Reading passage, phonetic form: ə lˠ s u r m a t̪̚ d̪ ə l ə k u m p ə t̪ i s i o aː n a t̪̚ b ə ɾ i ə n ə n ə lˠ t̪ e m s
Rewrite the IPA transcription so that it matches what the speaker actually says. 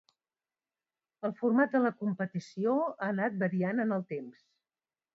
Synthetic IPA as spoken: ə lˠ f u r m a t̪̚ d̪ ə l ə k u m p ə t̪ i s i o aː n a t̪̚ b ə ɾ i a n ə n ə lˠ t̪ e m s